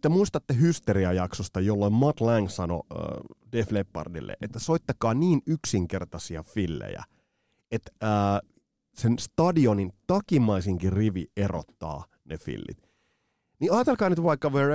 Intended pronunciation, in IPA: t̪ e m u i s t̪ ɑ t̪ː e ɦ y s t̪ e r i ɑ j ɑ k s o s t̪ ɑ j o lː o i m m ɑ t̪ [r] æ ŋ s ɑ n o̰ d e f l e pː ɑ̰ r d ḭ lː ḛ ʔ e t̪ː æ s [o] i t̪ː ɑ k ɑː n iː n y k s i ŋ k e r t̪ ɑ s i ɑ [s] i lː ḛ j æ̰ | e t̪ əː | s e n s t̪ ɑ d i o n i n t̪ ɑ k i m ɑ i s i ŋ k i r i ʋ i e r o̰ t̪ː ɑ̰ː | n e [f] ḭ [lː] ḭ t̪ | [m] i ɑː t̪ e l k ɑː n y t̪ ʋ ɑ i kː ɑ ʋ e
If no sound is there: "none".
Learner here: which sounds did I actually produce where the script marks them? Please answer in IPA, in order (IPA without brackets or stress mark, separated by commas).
l, o, f, f, lː, n